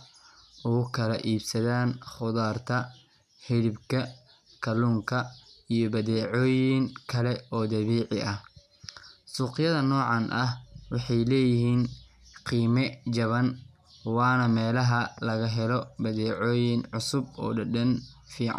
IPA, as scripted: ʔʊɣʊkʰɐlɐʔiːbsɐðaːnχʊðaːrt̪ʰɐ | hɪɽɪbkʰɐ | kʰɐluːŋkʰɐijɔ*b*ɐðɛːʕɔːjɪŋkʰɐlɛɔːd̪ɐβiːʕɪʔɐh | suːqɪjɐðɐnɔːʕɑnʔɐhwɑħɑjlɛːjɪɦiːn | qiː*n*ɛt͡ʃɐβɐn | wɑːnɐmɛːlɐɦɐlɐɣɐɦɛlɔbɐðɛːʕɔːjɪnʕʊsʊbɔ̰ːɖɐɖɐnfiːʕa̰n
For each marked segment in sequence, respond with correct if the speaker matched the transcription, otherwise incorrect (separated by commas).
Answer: correct, incorrect